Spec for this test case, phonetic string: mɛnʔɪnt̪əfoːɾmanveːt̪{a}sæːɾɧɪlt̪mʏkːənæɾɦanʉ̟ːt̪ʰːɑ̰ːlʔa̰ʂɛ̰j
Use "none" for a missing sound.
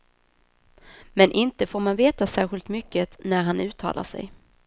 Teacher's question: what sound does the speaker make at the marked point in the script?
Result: a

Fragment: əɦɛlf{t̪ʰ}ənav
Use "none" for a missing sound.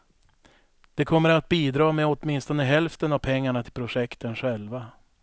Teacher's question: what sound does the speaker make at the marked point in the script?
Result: t̪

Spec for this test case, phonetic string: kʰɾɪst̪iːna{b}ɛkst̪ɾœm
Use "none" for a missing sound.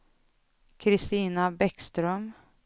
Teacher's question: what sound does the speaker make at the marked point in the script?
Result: b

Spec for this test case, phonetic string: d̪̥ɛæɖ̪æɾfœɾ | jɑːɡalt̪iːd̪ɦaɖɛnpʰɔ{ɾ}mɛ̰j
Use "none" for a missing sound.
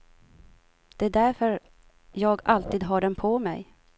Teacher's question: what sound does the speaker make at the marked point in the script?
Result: none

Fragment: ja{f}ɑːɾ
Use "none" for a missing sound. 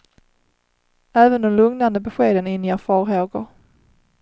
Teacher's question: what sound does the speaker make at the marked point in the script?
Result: f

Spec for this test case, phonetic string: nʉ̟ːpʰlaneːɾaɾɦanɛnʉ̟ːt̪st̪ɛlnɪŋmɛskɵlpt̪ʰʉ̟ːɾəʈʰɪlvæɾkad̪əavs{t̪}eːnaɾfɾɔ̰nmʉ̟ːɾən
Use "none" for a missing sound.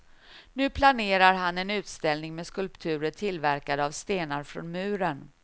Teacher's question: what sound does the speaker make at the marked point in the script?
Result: t̪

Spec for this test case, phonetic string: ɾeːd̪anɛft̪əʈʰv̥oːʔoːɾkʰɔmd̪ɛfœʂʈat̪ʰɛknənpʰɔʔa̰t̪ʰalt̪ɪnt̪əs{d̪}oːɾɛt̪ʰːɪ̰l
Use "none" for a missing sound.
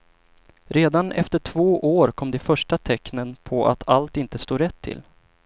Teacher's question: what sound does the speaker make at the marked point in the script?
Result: t̪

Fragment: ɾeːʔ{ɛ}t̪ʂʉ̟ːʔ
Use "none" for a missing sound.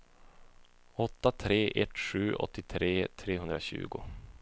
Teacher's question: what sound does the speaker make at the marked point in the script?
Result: ɛ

